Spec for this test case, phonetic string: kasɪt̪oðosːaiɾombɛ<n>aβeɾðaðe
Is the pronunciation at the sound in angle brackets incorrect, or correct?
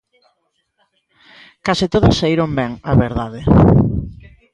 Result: incorrect